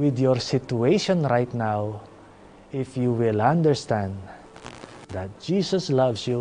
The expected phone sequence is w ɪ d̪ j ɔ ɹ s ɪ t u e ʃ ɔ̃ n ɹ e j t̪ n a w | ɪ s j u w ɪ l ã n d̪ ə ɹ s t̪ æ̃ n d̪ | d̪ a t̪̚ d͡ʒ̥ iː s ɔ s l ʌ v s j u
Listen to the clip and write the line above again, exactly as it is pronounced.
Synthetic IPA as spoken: w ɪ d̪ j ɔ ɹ s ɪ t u e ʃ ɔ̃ n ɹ a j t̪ n a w | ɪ f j u w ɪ l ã n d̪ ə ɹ s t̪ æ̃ n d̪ | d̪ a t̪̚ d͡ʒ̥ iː s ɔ s l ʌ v s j u